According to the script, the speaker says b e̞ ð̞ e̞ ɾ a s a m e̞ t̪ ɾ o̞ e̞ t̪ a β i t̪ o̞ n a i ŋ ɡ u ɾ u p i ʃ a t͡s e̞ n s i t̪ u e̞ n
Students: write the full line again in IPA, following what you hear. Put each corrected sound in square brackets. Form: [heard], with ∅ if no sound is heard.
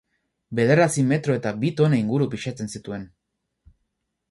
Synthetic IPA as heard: b e̞ ð̞ e̞ ɾ a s [i] m e̞ t̪ ɾ o̞ e̞ t̪ a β i t̪ o̞ n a i ŋ ɡ u ɾ u p i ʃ a t͡s e̞ n s i t̪ u e̞ n